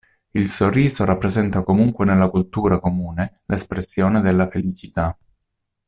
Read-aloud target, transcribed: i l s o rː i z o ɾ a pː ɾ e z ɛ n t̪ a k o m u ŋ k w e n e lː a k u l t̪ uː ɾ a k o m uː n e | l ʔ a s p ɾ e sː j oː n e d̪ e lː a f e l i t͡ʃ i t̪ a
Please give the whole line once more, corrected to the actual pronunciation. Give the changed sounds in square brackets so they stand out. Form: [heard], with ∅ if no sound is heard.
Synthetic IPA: i l s o rː [iː] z o ɾ a pː ɾ e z ɛ n t̪ a k o m u ŋ k w e n e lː a k u l t̪ uː ɾ a k o m uː n e | l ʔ [e] s p ɾ e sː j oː n e d̪ e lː a f e l i t͡ʃ i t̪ a